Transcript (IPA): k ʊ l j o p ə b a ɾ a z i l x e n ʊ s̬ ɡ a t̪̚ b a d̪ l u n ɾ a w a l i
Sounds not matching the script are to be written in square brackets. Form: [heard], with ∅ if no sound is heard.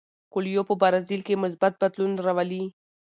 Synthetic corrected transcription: k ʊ l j o p ə b a ɾ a z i l [k] e [m] ʊ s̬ [b] a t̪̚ b a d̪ l u n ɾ a w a l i